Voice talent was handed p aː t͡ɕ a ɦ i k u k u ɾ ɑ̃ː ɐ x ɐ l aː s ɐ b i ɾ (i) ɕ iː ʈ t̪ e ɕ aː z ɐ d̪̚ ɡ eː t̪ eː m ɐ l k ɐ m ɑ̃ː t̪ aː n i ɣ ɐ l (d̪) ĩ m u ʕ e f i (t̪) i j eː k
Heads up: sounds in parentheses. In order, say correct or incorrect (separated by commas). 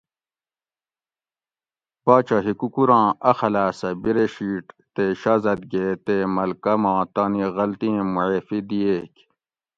incorrect, incorrect, incorrect